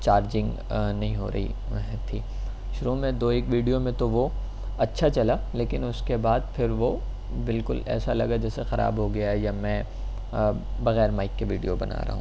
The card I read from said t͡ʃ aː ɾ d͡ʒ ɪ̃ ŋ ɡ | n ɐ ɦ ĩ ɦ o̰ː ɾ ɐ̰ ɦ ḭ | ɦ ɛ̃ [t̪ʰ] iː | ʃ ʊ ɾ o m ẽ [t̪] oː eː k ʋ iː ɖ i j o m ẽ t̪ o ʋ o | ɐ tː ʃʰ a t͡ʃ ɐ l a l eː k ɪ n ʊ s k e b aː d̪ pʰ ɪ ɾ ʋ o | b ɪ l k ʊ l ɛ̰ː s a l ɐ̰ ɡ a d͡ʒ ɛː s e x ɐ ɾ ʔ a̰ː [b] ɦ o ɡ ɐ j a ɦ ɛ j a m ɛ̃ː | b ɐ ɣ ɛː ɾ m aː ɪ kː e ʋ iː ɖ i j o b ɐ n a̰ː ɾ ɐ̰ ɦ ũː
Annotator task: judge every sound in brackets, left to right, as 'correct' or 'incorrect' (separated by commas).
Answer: correct, incorrect, correct